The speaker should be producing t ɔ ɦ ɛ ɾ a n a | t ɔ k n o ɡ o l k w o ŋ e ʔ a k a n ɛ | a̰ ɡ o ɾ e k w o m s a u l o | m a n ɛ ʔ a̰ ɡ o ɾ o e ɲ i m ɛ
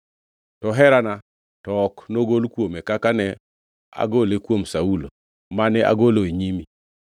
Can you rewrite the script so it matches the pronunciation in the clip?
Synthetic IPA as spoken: t ɔ ɦ ɛ ɾ a n a | t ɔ k n o ɡ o l k w o m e k a k a n ɛ | a̰ ɡ o l e k w o m s a u l o | m a n ɛ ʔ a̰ ɡ o l o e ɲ i m i